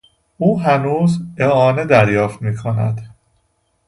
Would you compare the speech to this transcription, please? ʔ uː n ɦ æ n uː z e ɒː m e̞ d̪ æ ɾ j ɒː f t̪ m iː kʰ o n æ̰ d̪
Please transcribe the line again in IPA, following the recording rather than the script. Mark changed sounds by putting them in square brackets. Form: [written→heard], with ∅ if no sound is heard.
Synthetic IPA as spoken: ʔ uː [n→∅] ɦ æ n uː z e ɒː [m→n] e̞ d̪ æ ɾ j ɒː f t̪ m iː kʰ o n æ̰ d̪